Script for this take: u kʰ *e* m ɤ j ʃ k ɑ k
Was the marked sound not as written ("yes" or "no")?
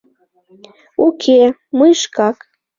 no